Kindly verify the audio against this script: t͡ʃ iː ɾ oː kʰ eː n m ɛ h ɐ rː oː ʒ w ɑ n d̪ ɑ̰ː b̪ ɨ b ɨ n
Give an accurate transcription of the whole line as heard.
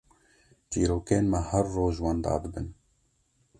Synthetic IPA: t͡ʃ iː ɾ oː k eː n m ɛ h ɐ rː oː ʒ w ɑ n d̪ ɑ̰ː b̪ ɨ b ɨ n